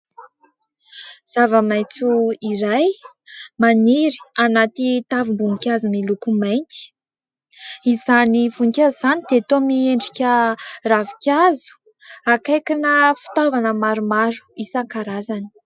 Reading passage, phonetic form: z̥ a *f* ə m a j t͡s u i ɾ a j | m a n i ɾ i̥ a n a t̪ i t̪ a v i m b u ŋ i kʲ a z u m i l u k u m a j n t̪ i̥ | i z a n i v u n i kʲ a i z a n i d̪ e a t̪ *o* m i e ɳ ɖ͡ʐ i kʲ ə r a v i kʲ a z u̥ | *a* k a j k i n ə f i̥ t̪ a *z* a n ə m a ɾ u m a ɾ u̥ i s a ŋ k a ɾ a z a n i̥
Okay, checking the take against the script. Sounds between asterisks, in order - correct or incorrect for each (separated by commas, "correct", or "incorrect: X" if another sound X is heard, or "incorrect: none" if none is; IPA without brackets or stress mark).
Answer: incorrect: v, correct, correct, incorrect: v